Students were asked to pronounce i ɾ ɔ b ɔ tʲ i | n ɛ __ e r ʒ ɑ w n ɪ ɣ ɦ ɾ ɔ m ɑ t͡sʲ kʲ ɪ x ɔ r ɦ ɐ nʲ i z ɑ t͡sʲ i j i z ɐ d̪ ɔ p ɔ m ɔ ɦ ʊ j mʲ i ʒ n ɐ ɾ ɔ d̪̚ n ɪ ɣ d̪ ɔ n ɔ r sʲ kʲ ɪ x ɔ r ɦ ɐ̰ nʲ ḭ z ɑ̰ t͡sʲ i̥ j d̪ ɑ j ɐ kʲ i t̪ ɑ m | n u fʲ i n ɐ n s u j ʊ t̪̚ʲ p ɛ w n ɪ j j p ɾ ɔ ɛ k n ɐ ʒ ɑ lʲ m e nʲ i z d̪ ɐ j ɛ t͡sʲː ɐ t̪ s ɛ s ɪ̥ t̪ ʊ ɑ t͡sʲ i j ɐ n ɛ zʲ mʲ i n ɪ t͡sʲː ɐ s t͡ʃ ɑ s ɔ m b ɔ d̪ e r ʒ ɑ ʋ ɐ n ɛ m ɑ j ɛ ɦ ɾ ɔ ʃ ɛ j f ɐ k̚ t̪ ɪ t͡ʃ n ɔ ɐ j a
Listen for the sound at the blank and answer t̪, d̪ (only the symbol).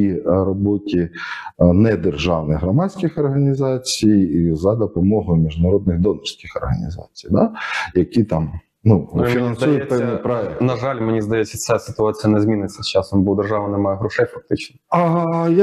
d̪